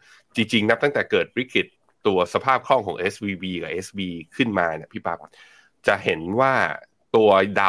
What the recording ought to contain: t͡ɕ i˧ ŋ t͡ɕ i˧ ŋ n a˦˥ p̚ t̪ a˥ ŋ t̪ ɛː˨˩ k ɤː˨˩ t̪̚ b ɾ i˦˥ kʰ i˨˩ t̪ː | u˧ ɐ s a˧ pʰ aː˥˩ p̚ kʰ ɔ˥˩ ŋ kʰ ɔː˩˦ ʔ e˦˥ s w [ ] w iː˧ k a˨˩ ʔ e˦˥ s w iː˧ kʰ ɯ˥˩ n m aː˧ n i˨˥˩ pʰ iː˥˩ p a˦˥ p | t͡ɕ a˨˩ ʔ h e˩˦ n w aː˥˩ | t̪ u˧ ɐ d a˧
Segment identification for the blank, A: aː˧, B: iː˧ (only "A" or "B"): B